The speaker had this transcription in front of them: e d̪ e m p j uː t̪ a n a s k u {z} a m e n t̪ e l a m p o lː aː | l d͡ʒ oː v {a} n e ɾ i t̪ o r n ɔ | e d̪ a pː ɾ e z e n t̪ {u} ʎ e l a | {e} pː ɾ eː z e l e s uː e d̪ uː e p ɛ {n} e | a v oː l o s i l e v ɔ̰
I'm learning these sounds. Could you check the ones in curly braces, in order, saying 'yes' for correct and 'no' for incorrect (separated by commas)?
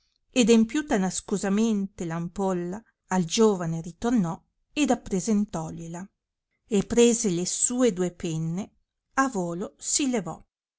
yes, yes, no, yes, no